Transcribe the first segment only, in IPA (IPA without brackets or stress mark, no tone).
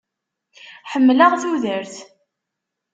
ħ